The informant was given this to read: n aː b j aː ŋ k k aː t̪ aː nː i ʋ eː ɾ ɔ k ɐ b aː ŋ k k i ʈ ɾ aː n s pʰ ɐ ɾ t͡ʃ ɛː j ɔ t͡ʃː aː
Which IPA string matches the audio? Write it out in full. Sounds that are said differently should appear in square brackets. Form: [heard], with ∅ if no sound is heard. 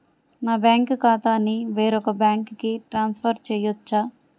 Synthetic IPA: n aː b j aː ŋ k k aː t̪ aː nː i ʋ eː ɾ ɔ k ɐ b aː ŋ k k i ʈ ɾ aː n s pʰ ɐ ɾ t͡ʃ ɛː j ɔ t͡ʃː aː